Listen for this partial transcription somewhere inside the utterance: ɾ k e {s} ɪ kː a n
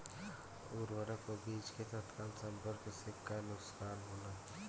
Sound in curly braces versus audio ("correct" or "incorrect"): correct